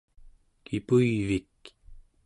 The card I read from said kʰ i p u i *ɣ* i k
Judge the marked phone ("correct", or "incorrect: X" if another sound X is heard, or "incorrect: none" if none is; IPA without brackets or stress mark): incorrect: v